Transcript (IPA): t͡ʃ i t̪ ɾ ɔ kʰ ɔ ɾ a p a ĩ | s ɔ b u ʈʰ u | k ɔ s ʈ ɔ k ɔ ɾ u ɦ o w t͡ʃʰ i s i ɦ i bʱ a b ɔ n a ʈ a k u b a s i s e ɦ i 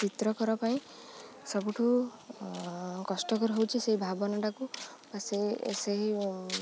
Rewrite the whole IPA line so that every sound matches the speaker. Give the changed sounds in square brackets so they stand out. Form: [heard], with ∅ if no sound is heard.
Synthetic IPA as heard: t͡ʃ i t̪ ɾ ɔ [k] ɔ ɾ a p a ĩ | s ɔ b u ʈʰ u | k ɔ s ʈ ɔ k ɔ ɾ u ɦ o w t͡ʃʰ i s [e] ɦ i bʱ a b ɔ n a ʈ a k u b a s [e] s e ɦ i